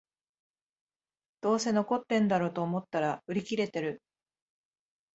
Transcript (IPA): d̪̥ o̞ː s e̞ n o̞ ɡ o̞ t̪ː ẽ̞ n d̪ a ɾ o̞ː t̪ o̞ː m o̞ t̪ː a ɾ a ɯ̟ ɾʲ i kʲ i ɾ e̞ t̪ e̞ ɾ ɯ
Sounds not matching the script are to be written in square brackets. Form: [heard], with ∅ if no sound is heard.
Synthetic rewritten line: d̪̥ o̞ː s e̞ n o̞ [k] o̞ t̪ː ẽ̞ n d̪ a ɾ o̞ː t̪ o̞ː m o̞ t̪ː a ɾ a ɯ̟ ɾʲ i kʲ i ɾ e̞ t̪ e̞ ɾ ɯ